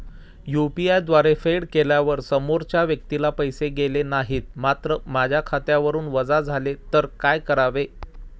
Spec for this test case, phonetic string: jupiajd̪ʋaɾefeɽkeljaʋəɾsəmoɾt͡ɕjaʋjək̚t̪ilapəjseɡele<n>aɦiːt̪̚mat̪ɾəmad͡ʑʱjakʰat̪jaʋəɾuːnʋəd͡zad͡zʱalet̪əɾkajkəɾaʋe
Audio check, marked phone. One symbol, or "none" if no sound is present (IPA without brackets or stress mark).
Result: n